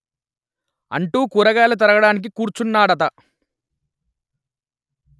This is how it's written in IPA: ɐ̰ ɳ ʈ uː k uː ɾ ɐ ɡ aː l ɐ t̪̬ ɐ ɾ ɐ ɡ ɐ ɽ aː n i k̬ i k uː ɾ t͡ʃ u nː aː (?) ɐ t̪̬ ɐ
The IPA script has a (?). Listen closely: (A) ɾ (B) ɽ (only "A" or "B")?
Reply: B